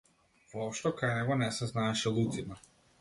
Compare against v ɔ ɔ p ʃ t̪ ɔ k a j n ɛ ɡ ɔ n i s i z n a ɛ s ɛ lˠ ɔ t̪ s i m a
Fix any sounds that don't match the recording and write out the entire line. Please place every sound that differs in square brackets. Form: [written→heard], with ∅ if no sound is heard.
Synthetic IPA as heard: v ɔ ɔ p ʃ t̪ ɔ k a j n ɛ ɡ ɔ n [i→ɛ] s [i→ɛ] z n a ɛ [s→ʃ] ɛ lˠ [ɔ→u] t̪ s i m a